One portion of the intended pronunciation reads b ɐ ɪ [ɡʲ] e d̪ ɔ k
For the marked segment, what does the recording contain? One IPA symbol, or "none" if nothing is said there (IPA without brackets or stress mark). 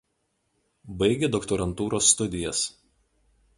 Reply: ɡʲ